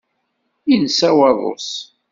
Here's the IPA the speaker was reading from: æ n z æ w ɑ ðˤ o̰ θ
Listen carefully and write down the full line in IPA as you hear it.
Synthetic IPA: i n s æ w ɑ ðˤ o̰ s